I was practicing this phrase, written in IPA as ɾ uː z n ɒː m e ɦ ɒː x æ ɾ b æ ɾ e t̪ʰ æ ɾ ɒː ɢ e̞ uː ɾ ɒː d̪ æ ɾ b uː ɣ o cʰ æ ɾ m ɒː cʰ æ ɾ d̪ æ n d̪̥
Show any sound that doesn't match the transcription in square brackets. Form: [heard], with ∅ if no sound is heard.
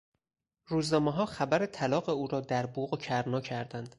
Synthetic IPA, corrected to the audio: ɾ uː z n ɒː m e ɦ ɒː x æ [∅] b æ ɾ e t̪ʰ æ [l] ɒː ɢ e̞ uː ɾ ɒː d̪ æ ɾ b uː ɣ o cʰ æ ɾ [n] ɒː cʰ æ ɾ d̪ æ n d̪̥